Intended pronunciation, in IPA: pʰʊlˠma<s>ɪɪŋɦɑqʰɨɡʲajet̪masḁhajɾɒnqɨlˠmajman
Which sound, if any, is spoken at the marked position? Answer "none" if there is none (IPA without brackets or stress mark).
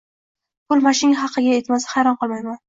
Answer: ʃ